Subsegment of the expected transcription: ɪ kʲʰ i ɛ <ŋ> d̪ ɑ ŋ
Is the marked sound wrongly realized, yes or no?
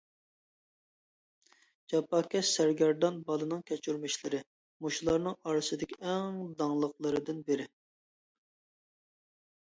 no